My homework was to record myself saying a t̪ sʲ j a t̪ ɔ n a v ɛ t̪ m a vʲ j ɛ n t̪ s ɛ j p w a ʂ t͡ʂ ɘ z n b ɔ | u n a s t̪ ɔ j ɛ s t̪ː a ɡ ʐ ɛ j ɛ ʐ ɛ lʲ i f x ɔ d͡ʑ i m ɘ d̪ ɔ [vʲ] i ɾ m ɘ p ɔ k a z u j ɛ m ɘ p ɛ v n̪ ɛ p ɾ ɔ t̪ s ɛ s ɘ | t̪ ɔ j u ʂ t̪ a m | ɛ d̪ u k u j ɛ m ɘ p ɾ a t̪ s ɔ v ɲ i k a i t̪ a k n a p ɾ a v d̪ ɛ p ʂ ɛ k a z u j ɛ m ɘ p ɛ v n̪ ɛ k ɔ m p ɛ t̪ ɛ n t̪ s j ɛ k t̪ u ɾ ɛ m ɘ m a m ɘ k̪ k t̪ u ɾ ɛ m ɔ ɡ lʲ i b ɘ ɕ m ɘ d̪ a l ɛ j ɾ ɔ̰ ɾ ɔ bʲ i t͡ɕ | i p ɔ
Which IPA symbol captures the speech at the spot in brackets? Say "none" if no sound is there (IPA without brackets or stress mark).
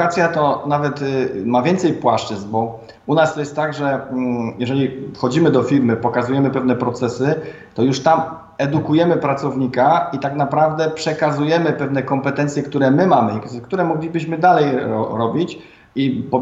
fʲ